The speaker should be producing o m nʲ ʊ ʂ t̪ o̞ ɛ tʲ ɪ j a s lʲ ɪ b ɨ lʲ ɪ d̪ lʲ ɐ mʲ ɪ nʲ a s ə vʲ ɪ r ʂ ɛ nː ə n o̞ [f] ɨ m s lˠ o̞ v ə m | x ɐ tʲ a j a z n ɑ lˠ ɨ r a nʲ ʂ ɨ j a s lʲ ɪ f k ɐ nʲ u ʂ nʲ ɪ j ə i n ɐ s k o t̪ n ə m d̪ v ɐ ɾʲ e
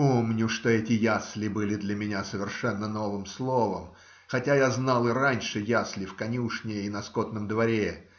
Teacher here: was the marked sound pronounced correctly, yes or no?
no